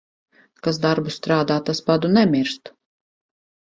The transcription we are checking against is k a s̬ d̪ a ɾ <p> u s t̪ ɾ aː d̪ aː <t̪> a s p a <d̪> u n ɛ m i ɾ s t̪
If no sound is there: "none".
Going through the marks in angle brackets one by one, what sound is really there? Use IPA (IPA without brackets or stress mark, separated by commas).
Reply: b, t̪, d̪